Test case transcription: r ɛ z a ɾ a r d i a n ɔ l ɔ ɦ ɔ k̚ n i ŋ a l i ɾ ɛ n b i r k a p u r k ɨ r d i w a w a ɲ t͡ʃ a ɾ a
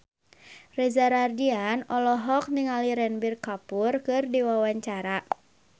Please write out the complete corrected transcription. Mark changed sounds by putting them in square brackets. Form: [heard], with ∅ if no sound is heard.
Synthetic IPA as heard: r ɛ z a ɾ a r d i a n ɔ l ɔ ɦ ɔ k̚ n i ŋ a l i ɾ ɛ n b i r k a p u r k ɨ r d i w a w a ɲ t͡ʃ a ɾ a